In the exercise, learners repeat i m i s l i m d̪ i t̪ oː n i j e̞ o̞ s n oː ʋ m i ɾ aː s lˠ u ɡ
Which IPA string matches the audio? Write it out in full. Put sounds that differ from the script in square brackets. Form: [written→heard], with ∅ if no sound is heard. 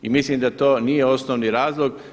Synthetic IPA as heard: i m i s l i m d̪ [i→a] t̪ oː n i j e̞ o̞ s n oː ʋ [m→n] i ɾ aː [s→z] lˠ [u→o] ɡ